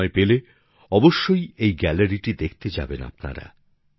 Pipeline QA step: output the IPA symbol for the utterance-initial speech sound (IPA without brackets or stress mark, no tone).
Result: e